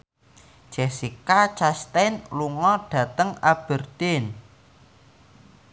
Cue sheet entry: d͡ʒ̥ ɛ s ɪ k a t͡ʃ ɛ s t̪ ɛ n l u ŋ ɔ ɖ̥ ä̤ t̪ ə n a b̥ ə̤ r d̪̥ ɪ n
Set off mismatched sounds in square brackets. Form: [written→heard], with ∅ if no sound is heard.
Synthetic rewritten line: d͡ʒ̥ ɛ s [ɪ→i] k a t͡ʃ [ɛ→a] s t̪ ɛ n l u ŋ ɔ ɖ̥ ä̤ t̪ ə [n→ŋ] a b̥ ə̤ r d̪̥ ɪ n